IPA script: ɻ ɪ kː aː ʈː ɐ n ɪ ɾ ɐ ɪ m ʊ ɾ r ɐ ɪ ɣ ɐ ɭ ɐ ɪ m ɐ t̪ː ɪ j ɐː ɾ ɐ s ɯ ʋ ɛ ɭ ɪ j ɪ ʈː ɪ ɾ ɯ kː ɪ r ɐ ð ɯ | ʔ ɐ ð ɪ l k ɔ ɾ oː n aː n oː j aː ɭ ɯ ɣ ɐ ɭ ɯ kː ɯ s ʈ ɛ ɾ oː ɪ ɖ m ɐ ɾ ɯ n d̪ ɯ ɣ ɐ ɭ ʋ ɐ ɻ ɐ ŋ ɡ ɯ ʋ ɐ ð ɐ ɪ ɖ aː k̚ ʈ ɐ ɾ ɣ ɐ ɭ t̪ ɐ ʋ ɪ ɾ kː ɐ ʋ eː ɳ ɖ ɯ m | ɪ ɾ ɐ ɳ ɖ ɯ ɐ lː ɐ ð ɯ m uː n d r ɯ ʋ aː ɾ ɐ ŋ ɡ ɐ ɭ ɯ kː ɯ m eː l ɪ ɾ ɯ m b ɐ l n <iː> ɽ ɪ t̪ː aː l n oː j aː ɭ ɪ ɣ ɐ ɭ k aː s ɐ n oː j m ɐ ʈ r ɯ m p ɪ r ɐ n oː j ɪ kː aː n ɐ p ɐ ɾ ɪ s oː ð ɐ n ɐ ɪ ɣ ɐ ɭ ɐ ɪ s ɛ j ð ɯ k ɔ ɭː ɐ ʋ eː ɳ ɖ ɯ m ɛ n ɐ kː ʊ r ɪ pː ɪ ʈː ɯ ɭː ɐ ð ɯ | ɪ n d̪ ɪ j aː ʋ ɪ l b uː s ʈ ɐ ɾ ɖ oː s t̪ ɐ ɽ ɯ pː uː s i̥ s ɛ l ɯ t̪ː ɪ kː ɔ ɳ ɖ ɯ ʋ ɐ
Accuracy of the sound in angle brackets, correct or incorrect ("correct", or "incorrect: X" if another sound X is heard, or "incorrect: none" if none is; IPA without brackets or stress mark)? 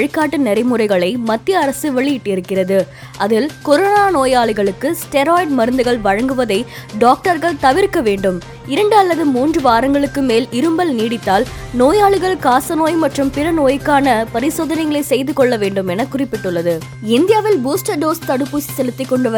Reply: correct